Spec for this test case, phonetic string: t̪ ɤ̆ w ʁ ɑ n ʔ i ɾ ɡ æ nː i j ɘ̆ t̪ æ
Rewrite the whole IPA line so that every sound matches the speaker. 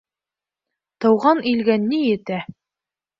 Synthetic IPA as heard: t̪ ɤ̆ w ʁ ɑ n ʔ i l ɡ æ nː i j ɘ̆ t̪ æ